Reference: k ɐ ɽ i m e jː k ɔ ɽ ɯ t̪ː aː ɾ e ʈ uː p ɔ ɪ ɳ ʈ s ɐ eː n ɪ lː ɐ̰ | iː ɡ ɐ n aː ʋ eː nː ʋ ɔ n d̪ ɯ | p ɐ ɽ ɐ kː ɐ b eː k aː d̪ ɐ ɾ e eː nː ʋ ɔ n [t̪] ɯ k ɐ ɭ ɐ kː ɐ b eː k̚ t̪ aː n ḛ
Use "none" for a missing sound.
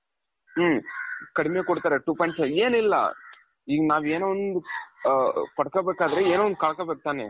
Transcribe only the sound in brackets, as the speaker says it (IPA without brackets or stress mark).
d̪